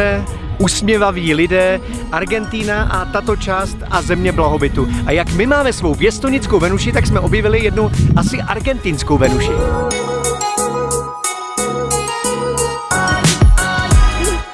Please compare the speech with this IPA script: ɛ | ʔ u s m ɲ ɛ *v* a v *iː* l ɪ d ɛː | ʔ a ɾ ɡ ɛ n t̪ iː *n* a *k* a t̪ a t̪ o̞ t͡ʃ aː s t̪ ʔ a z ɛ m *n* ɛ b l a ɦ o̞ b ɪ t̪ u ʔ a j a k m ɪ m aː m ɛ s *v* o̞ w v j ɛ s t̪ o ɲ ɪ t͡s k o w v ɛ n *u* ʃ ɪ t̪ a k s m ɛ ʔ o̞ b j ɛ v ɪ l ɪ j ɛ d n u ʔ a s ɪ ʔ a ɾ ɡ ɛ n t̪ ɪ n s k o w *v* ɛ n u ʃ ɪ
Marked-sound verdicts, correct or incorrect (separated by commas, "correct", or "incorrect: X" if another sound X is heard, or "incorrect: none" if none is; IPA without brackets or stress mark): correct, correct, correct, incorrect: ʔ, incorrect: ɲ, correct, correct, correct